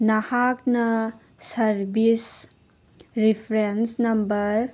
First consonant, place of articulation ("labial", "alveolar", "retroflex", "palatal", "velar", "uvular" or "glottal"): alveolar